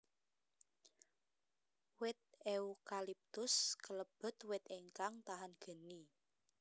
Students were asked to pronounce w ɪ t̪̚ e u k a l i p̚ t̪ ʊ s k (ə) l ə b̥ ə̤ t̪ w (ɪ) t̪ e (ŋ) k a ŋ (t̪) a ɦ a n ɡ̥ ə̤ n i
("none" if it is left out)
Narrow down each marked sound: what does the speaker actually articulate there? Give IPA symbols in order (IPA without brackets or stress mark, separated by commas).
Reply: ə, ɪ, ŋ, t̪